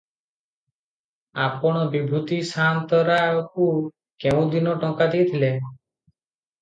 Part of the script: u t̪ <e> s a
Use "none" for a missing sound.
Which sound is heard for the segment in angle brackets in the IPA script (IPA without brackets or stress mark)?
i